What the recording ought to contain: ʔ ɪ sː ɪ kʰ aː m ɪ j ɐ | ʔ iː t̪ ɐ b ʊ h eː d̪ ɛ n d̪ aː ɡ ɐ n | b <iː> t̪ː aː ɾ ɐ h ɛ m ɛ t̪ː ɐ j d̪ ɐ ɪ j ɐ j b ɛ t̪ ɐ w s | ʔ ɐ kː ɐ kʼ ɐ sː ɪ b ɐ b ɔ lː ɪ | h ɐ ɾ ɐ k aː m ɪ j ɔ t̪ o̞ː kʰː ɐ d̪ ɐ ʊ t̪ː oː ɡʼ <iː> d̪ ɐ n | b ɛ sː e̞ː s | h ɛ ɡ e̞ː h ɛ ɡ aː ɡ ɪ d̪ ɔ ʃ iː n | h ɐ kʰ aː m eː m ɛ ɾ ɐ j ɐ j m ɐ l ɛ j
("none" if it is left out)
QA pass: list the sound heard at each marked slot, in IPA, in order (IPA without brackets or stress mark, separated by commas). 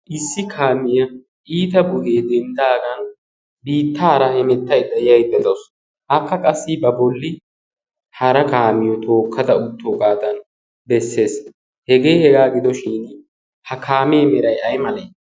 iː, aː